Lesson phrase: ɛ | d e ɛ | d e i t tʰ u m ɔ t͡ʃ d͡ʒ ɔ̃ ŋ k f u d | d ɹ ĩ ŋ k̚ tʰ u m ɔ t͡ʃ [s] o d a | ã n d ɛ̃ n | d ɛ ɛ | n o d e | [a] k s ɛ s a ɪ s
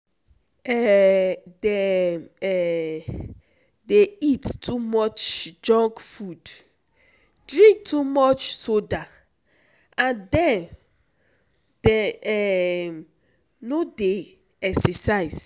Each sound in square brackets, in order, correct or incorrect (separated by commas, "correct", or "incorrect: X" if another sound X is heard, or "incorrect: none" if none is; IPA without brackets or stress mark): correct, incorrect: ɛ